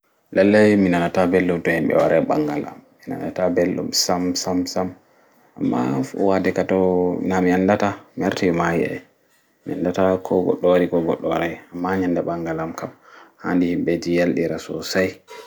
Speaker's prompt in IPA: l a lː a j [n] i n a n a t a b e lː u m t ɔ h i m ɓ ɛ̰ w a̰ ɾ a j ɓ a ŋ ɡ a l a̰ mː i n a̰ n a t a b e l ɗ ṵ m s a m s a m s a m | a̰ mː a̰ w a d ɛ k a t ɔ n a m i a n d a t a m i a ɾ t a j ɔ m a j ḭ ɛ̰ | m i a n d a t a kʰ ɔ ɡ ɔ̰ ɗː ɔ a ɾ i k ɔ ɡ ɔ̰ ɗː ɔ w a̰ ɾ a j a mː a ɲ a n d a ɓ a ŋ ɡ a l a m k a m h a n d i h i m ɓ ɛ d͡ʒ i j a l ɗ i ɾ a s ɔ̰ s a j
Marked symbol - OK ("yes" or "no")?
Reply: no